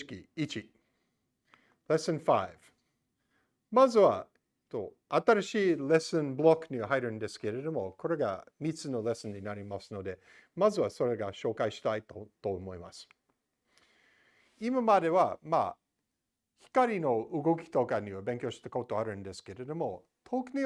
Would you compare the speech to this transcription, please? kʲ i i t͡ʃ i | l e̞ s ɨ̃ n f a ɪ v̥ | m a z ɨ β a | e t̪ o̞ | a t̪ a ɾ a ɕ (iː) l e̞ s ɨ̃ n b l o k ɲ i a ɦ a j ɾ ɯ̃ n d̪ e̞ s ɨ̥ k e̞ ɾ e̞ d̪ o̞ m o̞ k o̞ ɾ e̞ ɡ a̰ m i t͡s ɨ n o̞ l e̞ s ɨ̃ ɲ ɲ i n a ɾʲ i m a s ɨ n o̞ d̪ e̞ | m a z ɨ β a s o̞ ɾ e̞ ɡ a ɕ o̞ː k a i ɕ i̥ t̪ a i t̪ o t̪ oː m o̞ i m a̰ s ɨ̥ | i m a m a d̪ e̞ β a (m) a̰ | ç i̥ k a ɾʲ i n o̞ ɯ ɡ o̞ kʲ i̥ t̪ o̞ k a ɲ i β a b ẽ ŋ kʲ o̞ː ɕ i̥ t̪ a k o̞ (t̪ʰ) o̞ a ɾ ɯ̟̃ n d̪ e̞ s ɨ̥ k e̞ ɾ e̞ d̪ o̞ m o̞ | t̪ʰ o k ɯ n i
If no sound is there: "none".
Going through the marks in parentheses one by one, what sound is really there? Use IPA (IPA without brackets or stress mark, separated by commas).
iː, m, t̪